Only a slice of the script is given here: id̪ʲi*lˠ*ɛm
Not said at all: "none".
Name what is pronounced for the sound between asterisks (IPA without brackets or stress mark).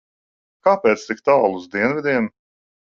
none